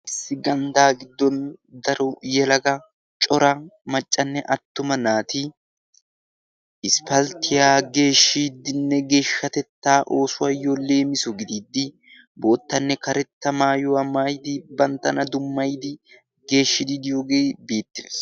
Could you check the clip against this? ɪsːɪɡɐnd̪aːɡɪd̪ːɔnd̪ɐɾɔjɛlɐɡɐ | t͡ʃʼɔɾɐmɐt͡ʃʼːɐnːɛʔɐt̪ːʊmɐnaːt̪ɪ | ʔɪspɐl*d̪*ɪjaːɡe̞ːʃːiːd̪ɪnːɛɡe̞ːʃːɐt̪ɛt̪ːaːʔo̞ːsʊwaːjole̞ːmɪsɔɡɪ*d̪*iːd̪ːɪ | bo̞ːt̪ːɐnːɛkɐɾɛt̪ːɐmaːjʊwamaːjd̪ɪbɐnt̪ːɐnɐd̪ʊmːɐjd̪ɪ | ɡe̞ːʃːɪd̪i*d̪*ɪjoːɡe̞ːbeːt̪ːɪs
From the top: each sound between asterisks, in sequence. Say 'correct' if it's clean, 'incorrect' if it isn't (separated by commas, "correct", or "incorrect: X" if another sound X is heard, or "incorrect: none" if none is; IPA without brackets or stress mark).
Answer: incorrect: t̪, correct, correct